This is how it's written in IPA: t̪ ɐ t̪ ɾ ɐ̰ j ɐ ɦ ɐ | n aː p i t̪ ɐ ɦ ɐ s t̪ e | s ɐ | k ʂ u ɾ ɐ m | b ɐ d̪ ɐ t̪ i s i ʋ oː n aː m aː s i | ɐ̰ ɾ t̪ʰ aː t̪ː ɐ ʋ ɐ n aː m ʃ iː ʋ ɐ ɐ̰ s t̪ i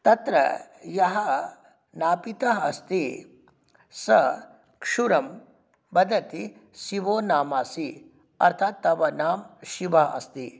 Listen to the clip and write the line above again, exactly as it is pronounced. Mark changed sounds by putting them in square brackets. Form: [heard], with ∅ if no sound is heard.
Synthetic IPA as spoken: t̪ ɐ t̪ ɾ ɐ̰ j ɐ ɦ ɐ | n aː p i t̪ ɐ ɦ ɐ s t̪ [i] | s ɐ | k ʂ u ɾ ɐ m | b ɐ d̪ ɐ t̪ i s i ʋ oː n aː m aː s i | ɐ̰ ɾ t̪ʰ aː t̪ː ɐ ʋ ɐ n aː m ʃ [i] ʋ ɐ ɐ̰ s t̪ i